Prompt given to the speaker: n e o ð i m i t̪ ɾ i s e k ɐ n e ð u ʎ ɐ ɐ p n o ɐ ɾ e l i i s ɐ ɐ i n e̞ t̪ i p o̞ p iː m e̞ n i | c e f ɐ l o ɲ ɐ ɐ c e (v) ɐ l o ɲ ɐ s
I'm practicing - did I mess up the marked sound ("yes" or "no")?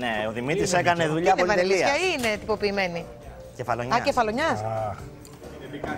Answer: yes